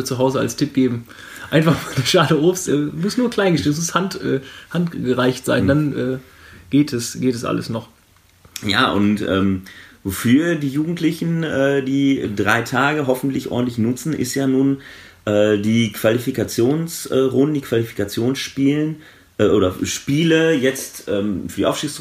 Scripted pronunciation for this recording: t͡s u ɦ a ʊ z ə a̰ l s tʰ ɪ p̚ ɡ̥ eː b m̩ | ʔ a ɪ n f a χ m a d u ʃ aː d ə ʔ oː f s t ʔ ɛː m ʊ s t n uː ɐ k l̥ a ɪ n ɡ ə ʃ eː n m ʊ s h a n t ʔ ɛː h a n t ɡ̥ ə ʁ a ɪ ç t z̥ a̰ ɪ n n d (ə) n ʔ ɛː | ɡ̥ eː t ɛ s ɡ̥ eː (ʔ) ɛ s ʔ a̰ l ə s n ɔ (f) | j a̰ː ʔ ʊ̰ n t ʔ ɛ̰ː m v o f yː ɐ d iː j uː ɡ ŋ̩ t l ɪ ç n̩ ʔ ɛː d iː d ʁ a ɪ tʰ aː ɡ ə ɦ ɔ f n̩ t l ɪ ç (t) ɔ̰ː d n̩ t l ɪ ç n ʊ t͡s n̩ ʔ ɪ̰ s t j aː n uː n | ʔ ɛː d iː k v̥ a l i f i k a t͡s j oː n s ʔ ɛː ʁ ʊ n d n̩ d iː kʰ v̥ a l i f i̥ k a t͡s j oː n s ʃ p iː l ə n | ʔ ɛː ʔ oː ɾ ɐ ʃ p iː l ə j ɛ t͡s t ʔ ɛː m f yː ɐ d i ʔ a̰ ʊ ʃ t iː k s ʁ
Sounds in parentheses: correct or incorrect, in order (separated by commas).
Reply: incorrect, incorrect, incorrect, incorrect